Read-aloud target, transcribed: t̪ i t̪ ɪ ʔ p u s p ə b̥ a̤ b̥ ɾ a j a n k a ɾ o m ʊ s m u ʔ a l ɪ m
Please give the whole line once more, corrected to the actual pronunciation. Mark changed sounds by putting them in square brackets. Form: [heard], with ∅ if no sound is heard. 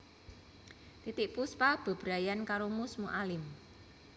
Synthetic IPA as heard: t̪ i t̪ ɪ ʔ p u s p [a] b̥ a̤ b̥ ɾ a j a n k a ɾ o m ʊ s m u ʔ a l ɪ m